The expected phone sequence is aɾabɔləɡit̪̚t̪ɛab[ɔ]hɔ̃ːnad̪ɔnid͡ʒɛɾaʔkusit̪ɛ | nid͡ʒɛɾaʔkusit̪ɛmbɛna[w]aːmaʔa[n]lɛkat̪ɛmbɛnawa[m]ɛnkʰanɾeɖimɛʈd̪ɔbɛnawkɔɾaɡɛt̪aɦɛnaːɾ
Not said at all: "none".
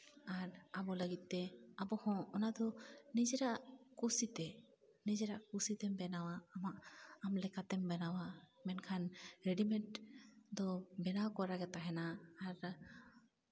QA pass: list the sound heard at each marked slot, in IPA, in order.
ɔ, w, m, m

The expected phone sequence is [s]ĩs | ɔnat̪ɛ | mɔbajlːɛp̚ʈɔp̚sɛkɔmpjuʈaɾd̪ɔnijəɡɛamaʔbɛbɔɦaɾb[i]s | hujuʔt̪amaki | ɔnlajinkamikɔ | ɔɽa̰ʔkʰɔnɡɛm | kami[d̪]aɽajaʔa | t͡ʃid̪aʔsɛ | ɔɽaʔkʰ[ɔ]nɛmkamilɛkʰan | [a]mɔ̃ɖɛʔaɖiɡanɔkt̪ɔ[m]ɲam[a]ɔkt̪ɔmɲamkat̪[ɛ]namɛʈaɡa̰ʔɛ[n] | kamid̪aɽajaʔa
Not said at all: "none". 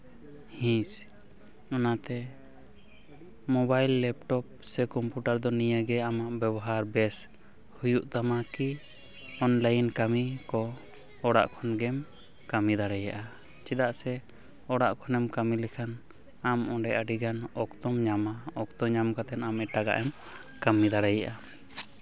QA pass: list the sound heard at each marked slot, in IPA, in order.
h, ɛ, d̪, ɔ, a, m, a, ɛ, m

